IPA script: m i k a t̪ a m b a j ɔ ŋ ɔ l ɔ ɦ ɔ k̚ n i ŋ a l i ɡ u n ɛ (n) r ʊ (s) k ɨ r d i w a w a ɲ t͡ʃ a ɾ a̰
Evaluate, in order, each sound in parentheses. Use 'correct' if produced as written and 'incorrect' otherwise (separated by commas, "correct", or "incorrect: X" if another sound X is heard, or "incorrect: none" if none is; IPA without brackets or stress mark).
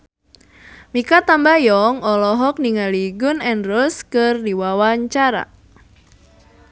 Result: correct, correct